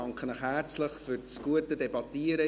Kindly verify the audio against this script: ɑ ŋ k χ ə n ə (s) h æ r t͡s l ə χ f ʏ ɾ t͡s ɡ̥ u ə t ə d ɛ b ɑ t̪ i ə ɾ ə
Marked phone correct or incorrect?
incorrect